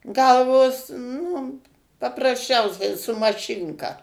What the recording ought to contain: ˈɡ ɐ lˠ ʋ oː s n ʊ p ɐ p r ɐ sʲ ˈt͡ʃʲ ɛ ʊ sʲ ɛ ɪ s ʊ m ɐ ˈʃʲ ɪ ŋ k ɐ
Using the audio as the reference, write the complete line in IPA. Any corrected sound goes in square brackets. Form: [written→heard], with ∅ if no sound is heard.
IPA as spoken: ˈɡ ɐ lˠ ʋ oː s n ʊ p ɐ p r ɐ sʲ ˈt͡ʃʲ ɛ ʊ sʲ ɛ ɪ s ʊ m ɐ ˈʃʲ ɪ ŋ k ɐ